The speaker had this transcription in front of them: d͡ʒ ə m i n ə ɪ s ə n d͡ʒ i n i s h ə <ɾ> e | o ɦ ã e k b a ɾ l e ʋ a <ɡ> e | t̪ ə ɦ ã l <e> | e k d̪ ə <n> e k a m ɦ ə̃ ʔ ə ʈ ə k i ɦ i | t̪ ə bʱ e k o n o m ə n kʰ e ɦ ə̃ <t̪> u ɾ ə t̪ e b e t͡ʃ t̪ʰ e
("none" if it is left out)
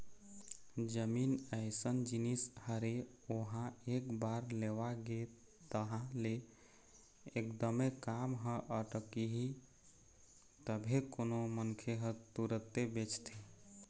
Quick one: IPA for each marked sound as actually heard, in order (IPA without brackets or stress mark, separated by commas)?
ɾ, ɡ, e, m, t̪